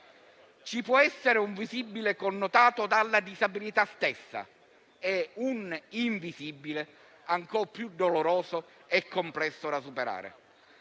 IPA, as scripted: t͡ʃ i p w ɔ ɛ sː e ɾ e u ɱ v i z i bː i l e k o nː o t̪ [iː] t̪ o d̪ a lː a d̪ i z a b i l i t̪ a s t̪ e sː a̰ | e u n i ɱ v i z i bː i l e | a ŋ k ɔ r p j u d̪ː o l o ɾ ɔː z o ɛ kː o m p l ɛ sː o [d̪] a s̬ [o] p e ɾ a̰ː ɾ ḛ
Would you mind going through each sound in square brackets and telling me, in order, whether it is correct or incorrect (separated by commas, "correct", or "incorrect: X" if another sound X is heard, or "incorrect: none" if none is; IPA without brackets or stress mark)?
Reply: incorrect: aː, correct, incorrect: u